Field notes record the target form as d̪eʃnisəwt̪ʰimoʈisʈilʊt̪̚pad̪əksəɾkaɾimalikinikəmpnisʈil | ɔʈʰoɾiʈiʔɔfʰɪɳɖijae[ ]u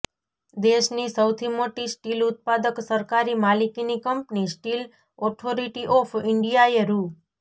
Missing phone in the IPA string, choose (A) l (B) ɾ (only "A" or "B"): B